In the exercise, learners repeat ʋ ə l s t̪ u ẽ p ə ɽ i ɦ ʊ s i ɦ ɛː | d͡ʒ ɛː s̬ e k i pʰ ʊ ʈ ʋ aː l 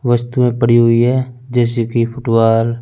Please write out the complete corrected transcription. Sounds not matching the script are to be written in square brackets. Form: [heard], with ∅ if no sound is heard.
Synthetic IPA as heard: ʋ ə [∅] s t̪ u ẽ p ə ɽ i ɦ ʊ [∅] i ɦ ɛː | d͡ʒ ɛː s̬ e k i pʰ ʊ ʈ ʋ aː l